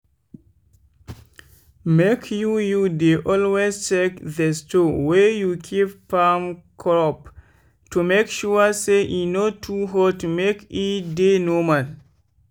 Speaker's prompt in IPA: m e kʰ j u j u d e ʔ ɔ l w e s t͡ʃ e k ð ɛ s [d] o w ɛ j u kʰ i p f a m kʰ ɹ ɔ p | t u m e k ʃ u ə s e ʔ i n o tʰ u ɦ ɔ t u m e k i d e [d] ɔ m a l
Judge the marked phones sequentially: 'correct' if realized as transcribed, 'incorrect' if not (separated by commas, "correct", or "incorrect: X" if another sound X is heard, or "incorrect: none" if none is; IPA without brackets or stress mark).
incorrect: t, incorrect: n